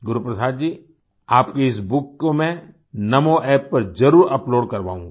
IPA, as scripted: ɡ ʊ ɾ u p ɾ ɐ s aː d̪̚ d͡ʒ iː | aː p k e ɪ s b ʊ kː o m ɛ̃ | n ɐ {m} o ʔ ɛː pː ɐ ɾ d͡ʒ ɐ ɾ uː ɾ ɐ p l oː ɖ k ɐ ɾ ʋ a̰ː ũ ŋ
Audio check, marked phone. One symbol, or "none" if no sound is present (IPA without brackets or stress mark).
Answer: m